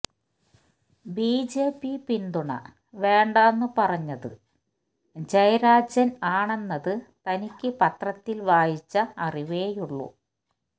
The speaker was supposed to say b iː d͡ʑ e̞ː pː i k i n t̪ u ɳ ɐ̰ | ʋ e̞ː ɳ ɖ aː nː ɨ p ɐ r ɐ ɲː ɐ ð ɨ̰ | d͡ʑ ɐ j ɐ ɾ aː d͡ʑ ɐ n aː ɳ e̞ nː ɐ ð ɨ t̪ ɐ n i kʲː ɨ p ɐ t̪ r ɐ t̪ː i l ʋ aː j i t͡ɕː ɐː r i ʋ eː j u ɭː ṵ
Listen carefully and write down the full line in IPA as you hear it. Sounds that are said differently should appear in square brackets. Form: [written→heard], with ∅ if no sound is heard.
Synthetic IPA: b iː d͡ʑ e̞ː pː i [k→p] i n [t̪→d̪] u ɳ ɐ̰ | ʋ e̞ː ɳ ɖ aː nː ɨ p ɐ r ɐ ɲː ɐ ð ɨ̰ | d͡ʑ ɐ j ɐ ɾ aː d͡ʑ ɐ n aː ɳ e̞ nː ɐ ð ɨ t̪ ɐ n i kʲː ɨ p ɐ t̪ r ɐ t̪ː i l ʋ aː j i t͡ɕː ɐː r i ʋ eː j u ɭː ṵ